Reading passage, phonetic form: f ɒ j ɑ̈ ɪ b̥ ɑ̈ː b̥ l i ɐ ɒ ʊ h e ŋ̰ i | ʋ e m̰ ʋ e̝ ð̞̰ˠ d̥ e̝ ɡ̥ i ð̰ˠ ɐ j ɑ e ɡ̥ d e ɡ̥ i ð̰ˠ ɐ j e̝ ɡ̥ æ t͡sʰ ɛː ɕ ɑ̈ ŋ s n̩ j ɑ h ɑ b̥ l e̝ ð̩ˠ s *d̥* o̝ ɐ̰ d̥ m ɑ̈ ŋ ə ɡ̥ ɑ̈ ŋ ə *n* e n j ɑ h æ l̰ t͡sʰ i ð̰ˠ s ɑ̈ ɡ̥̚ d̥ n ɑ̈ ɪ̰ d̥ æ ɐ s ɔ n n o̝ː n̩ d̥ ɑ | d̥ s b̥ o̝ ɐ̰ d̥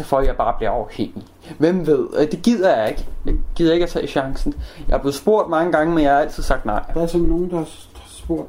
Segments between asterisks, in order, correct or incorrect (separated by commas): incorrect, incorrect